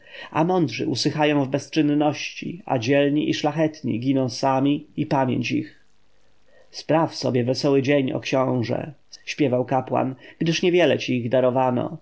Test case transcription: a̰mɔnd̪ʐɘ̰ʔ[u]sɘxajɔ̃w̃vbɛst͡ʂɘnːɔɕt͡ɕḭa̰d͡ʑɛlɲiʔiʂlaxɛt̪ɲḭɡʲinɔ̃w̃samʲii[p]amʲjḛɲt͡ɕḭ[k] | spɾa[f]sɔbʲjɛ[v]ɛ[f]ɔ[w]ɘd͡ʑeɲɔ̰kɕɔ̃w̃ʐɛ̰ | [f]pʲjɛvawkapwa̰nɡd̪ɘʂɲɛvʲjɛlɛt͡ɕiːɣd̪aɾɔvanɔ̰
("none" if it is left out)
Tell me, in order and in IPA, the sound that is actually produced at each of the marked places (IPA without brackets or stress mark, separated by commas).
u, p, x, f, v, s, w, ɕ